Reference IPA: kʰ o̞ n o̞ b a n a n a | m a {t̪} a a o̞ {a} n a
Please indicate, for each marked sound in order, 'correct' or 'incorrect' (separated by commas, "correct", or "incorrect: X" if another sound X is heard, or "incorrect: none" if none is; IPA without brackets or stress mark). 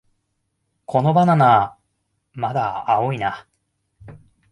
incorrect: d̪, incorrect: i